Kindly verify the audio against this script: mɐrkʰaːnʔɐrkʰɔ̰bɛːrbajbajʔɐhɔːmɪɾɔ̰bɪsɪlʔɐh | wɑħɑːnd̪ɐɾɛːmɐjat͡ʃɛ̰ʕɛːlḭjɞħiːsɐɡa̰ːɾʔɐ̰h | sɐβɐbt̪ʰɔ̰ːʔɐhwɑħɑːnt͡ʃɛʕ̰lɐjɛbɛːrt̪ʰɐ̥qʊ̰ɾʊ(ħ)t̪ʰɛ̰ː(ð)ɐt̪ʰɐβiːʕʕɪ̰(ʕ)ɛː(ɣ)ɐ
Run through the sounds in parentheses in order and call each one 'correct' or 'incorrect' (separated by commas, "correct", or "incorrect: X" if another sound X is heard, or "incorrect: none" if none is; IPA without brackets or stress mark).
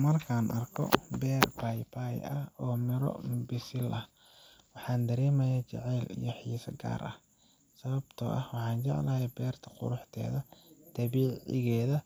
correct, correct, incorrect: ɣ, incorrect: ð